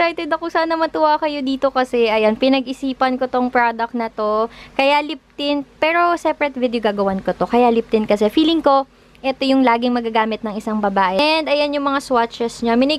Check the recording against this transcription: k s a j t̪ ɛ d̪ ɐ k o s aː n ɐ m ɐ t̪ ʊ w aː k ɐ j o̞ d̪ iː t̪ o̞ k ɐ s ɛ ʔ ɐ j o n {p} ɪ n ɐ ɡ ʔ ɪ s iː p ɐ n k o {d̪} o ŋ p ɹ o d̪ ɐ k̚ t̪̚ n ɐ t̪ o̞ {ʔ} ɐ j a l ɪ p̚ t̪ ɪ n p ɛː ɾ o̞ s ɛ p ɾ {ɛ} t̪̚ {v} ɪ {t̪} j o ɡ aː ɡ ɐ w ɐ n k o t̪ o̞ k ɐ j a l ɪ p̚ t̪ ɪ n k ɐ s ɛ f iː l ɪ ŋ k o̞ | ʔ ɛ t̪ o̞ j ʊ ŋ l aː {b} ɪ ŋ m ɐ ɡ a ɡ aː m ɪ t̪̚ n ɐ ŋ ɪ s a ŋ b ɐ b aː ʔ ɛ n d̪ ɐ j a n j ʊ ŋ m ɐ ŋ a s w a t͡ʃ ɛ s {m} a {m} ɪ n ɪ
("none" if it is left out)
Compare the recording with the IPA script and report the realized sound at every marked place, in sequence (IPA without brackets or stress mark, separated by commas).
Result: p, t̪, k, ɛ, v, d̪, ɡ, ɲ, m